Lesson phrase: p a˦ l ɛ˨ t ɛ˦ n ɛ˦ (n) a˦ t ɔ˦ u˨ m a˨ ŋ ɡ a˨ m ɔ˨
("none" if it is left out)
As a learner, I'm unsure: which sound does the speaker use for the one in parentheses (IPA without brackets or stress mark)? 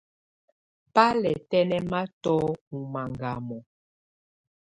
m